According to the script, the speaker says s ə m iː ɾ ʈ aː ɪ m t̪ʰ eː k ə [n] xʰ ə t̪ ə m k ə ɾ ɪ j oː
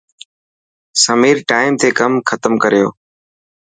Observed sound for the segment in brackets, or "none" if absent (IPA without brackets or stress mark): m